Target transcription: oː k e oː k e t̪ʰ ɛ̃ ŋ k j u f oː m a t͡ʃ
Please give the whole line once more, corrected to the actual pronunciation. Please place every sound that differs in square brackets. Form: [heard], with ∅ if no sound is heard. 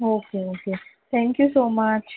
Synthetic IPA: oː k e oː k e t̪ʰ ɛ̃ ŋ k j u [s] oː m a t͡ʃ